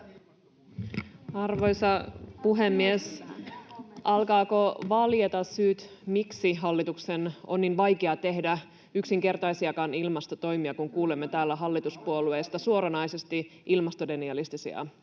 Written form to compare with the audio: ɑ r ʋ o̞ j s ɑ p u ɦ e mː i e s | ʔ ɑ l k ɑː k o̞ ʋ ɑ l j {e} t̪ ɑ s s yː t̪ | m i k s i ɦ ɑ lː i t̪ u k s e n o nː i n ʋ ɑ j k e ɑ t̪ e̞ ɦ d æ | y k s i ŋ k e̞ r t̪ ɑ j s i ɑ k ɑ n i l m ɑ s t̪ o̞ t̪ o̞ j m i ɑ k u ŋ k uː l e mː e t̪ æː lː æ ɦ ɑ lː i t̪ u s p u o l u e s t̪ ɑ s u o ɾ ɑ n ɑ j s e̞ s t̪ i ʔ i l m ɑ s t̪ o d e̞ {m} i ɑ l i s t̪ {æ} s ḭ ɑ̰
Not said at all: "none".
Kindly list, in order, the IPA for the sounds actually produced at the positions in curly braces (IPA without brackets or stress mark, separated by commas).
e, n, i